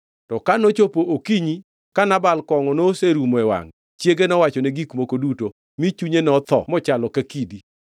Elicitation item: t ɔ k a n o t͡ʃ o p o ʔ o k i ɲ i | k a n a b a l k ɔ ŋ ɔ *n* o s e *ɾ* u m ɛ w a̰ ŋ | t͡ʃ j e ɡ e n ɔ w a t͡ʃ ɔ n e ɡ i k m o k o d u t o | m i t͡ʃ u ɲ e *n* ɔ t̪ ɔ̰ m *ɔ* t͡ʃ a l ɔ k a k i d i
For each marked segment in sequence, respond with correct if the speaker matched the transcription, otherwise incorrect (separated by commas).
correct, correct, correct, correct